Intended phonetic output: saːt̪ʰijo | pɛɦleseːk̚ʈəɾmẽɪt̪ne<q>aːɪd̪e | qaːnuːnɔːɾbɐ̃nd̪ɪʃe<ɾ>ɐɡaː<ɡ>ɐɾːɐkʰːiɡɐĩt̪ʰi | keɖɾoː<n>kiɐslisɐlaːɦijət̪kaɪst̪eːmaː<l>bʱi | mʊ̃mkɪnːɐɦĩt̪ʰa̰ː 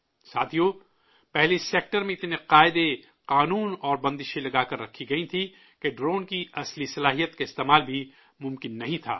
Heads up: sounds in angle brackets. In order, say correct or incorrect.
correct, incorrect, incorrect, correct, correct

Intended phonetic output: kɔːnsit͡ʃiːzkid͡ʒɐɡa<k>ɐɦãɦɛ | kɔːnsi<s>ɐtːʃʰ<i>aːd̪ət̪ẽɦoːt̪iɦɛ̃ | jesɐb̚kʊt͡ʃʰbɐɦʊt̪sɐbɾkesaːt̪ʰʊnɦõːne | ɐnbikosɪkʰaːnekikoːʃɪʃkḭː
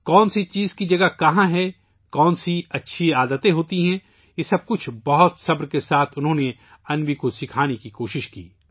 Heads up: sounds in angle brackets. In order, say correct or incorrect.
correct, incorrect, correct

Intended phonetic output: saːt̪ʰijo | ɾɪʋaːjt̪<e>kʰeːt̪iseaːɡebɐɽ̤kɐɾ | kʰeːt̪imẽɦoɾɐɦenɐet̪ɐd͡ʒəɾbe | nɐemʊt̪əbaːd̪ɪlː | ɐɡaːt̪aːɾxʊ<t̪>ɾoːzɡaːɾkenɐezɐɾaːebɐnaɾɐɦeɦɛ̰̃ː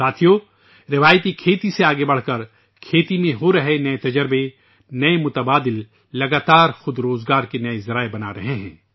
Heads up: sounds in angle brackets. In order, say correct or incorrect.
incorrect, incorrect

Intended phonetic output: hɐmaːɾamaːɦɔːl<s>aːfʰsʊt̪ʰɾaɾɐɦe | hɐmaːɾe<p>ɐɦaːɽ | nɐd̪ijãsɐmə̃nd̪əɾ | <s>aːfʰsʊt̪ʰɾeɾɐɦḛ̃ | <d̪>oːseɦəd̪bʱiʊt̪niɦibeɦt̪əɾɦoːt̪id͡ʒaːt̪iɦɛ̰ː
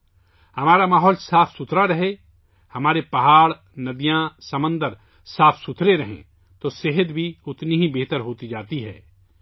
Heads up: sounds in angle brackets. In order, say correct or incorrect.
correct, correct, correct, incorrect

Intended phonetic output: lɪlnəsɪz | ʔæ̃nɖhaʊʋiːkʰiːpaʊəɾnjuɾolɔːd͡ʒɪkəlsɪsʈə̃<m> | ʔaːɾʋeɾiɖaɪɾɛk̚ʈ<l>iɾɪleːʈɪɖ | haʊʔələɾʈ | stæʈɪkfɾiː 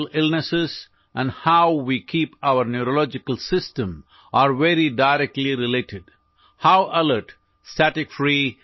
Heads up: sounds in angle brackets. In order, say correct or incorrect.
correct, correct

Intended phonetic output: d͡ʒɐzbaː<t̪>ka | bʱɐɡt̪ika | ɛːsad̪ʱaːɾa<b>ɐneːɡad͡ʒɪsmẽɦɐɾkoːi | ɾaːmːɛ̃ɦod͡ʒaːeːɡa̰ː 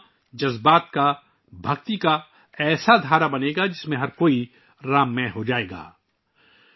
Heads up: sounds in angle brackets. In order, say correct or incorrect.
correct, correct

